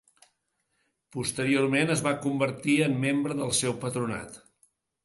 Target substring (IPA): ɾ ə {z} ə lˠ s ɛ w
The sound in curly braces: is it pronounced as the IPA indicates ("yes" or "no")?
no